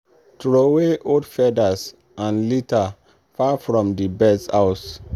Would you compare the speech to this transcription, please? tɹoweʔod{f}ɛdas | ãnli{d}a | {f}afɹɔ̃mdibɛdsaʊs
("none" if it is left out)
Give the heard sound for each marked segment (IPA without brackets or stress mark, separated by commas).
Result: f, t, f